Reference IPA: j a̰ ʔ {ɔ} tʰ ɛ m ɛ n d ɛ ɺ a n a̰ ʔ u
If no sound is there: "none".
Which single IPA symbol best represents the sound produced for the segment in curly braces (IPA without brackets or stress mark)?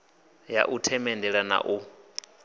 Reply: u